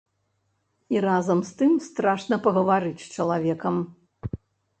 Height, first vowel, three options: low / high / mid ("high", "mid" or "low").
high